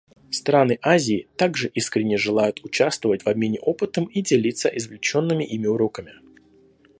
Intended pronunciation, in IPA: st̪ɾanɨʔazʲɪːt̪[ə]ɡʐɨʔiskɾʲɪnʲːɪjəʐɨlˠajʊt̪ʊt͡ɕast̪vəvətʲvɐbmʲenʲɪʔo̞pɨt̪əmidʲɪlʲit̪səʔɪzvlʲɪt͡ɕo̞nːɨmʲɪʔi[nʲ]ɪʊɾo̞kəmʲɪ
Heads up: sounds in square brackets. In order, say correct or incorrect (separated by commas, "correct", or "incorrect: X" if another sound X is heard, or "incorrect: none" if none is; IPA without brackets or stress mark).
incorrect: a, incorrect: mʲ